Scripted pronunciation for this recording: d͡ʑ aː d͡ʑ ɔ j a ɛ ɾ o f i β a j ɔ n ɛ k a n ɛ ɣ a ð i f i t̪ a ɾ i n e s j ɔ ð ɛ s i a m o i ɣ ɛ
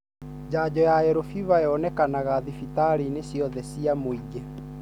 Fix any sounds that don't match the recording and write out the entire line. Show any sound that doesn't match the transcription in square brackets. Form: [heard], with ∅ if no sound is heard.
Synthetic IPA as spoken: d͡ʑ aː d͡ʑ ɔ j a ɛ ɾ o f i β a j ɔ n ɛ k a n [a] ɣ a ð i f i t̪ a ɾ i n e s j ɔ ð ɛ s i a m o i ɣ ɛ